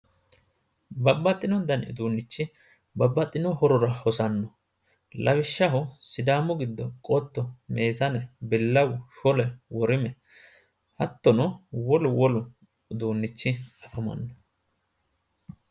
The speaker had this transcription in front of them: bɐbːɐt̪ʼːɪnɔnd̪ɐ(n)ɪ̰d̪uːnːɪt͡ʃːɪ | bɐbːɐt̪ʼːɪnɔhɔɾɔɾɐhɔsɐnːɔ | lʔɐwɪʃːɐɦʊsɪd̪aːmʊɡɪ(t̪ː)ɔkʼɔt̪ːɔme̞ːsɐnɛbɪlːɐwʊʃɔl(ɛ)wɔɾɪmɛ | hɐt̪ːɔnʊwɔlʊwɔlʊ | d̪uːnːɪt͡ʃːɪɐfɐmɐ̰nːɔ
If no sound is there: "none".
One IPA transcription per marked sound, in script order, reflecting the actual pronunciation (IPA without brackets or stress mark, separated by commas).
n, d̪ː, ɛ